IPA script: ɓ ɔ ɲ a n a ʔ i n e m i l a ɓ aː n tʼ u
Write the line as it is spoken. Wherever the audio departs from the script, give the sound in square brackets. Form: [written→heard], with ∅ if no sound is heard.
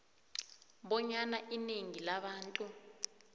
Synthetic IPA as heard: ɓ ɔ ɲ a n a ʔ i n e [m→ŋ] i l a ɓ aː n tʼ u